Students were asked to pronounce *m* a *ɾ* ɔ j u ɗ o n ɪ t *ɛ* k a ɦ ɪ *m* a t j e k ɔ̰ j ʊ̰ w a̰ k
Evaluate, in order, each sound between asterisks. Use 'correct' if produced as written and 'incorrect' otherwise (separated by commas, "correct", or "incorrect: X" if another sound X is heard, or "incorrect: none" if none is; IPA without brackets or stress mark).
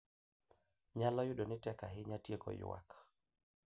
incorrect: ɲ, incorrect: l, correct, incorrect: ɲ